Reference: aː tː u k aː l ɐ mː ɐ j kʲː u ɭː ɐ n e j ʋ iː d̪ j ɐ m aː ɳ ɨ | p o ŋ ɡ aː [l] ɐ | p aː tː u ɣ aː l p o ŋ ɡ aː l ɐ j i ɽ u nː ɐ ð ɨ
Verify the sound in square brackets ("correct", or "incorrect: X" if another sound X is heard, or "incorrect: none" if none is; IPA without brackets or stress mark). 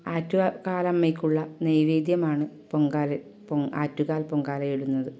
correct